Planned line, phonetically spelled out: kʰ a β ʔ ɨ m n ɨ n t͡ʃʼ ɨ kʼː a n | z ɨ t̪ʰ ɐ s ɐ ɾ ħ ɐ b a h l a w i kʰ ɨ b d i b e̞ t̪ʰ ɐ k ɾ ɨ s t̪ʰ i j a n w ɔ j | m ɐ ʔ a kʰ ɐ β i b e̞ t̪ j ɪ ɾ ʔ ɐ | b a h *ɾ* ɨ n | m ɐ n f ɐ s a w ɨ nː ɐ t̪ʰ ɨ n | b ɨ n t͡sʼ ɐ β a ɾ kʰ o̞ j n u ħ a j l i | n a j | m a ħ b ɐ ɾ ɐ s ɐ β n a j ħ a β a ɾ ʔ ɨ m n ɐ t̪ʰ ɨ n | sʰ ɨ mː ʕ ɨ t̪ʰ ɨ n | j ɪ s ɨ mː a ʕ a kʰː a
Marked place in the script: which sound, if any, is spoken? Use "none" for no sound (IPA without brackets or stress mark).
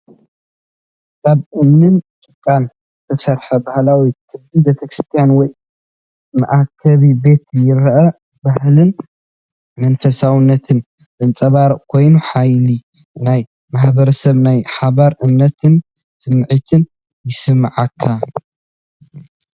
l